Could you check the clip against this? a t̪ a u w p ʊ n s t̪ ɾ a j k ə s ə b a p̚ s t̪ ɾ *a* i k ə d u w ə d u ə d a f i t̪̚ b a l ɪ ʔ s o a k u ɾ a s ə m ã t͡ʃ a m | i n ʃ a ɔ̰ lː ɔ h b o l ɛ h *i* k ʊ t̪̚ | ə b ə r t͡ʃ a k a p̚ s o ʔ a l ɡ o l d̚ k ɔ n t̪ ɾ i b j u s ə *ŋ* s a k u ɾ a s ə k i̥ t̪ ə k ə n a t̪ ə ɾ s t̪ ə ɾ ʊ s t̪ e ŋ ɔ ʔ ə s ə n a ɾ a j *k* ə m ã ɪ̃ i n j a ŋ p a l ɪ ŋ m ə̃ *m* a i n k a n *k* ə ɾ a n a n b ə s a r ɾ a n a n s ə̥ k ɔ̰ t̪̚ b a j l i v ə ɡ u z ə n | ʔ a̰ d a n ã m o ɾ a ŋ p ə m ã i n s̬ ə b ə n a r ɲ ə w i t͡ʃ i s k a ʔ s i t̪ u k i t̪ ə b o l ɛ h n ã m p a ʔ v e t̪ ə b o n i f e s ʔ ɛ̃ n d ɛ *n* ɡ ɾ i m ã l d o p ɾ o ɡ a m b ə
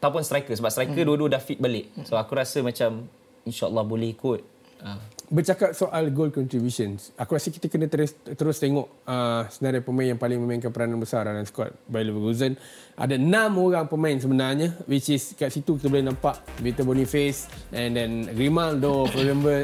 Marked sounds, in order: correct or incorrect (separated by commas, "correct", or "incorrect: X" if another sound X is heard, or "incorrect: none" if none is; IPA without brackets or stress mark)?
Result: correct, correct, incorrect: n, incorrect: p, correct, incorrect: p, correct